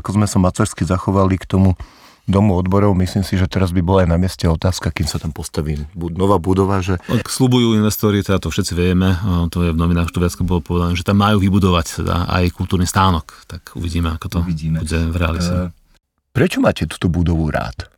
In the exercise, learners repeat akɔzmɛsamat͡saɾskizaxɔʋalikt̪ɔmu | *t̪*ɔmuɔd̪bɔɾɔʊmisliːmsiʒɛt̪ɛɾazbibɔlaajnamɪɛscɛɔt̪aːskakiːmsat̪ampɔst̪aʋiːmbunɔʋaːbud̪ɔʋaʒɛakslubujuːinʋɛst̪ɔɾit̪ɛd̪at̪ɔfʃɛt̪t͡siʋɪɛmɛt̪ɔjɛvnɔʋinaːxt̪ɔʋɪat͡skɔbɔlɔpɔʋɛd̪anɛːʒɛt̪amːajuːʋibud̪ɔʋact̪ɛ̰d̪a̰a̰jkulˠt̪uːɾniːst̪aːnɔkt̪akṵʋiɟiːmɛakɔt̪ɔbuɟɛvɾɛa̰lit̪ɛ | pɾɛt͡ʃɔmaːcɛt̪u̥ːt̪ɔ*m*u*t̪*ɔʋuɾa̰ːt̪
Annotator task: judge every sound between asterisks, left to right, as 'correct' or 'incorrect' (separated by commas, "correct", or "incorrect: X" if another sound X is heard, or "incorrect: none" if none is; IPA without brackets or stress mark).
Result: incorrect: d̪, incorrect: b, incorrect: d̪